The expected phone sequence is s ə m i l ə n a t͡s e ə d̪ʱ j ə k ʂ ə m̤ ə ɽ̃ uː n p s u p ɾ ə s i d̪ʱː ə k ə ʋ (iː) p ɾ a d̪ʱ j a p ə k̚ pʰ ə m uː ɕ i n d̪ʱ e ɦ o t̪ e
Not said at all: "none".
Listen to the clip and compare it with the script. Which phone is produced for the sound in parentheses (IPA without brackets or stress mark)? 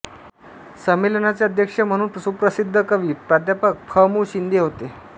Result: iː